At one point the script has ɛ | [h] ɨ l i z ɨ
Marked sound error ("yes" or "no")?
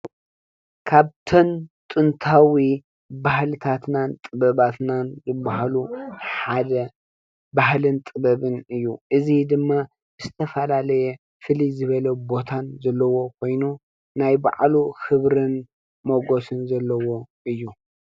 yes